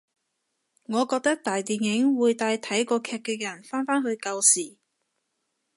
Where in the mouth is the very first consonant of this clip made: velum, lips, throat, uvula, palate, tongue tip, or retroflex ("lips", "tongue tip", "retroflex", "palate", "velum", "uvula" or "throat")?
velum